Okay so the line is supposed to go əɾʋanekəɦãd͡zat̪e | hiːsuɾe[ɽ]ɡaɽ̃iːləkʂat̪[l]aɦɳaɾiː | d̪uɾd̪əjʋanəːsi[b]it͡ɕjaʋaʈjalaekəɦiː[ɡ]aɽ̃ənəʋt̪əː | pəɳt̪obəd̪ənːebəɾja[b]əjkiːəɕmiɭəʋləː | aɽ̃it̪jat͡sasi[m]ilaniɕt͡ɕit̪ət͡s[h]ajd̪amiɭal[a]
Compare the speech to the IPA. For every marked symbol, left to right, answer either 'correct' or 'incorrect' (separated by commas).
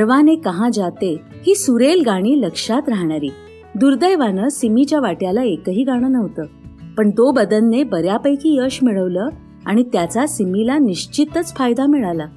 incorrect, incorrect, incorrect, correct, incorrect, correct, incorrect, correct